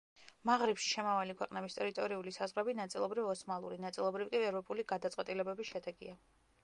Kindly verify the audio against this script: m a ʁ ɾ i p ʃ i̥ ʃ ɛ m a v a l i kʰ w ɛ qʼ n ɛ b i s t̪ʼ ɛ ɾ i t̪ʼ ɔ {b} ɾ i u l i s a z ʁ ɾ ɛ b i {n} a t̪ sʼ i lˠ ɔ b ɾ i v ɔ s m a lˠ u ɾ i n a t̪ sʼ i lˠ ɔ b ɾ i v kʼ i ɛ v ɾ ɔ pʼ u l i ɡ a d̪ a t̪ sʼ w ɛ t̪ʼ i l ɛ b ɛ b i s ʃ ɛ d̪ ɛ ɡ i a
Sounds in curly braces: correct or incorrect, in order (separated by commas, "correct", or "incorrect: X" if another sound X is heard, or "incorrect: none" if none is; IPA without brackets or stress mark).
incorrect: none, correct